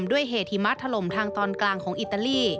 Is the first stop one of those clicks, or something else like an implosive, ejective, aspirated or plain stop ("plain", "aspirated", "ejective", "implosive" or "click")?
plain